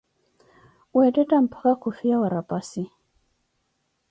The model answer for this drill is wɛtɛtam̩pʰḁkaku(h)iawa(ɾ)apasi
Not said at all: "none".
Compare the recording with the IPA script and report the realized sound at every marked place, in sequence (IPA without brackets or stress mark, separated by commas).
f, ɾ